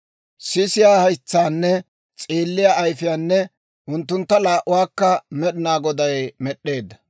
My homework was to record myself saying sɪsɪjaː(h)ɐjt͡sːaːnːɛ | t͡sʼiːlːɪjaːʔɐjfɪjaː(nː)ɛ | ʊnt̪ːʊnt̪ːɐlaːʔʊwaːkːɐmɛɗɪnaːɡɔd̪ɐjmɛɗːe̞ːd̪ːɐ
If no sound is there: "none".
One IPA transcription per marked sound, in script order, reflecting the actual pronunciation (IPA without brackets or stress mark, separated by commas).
h, nː